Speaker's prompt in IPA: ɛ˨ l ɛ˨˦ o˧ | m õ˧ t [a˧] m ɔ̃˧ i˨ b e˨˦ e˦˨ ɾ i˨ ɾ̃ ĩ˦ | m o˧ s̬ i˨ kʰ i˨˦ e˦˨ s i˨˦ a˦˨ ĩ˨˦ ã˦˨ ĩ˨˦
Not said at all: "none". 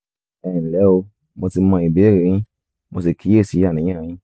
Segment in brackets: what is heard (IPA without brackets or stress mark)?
i˧